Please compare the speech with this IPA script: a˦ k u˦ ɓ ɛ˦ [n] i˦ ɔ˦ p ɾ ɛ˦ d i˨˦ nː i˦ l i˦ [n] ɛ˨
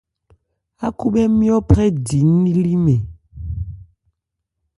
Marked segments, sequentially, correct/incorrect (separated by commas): incorrect, incorrect